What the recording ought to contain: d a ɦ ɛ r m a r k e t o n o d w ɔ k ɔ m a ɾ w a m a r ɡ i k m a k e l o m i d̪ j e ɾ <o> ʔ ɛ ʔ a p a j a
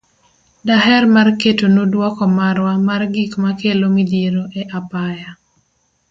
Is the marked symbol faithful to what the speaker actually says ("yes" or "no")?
yes